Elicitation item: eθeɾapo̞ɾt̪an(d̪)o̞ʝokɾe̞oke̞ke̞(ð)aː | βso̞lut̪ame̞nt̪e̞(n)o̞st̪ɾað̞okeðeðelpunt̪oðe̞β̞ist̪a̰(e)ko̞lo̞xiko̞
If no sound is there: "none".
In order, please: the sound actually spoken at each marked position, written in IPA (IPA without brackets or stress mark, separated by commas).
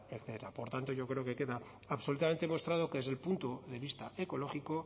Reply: t̪, ð, m, e